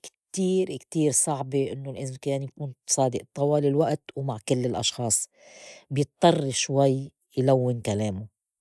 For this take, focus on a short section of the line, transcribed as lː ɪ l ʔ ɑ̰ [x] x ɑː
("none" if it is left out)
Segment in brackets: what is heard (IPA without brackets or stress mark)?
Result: ʃ